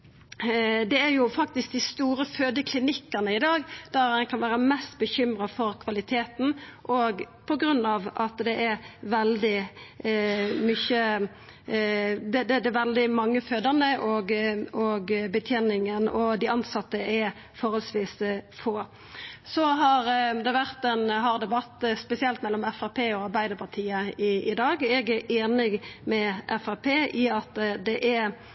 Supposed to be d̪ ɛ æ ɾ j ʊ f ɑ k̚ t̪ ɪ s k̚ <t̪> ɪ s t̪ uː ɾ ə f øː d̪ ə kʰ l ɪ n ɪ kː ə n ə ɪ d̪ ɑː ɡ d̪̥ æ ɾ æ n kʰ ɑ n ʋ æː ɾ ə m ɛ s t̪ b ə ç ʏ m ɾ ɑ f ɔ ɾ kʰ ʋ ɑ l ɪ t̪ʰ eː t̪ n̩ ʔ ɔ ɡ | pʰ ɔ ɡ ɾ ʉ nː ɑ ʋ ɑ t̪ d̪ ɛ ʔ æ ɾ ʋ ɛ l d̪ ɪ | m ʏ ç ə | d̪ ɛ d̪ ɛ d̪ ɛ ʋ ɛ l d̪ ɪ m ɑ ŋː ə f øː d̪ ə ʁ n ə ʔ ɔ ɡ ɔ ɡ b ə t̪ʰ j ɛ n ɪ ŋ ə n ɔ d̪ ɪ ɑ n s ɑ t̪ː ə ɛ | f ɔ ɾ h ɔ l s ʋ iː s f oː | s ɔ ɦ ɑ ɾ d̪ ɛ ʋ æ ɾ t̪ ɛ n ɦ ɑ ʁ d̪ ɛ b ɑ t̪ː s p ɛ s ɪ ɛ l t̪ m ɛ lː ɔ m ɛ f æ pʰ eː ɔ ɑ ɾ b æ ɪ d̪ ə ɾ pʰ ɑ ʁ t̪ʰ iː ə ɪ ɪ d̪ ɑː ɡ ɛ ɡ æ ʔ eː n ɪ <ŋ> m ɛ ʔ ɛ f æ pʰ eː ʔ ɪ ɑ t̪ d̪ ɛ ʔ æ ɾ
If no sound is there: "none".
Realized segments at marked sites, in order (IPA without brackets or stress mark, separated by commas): d̪, ɡ